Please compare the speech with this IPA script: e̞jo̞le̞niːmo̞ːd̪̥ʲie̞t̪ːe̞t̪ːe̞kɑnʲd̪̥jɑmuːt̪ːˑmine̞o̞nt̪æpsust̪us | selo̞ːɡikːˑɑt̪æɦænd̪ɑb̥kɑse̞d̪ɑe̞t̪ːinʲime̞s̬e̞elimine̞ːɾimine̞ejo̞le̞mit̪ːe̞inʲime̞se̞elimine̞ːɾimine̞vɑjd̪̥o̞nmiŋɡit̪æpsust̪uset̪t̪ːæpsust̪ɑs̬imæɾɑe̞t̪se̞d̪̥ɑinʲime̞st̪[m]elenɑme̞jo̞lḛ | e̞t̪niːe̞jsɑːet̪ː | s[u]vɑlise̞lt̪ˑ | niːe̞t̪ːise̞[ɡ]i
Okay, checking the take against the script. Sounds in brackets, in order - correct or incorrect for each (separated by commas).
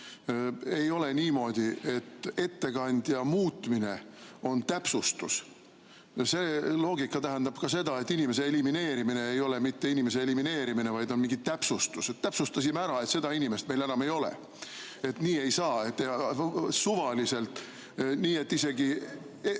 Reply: correct, correct, correct